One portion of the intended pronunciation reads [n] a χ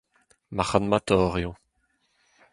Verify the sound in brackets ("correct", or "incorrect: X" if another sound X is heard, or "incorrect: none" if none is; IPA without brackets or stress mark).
incorrect: m